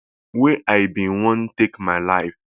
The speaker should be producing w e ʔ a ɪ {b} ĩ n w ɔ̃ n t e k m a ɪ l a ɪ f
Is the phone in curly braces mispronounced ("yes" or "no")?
no